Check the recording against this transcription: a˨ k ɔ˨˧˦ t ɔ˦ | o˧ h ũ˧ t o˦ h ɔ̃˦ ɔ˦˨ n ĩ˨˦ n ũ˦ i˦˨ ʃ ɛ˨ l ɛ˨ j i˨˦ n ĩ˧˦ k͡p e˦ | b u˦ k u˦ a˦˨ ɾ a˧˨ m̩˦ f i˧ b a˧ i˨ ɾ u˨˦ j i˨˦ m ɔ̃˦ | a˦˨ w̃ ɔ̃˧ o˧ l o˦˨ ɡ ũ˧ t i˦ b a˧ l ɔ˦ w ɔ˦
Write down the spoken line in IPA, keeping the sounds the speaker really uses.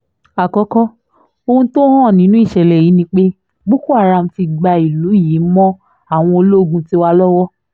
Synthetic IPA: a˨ k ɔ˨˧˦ k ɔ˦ | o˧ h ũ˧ t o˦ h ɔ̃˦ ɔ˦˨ n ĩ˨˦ n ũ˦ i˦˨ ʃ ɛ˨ l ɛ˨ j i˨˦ n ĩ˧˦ k͡p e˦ | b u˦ k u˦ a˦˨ ɾ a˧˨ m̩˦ f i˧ ɡ͡b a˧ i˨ l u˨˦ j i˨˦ m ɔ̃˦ | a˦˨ w̃ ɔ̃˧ o˧ l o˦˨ ɡ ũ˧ t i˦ w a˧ l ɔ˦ w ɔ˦